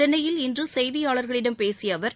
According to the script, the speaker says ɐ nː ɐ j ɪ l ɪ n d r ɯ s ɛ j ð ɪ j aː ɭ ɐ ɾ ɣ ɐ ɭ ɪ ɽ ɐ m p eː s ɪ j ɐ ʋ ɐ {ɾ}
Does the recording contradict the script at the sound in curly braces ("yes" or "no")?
no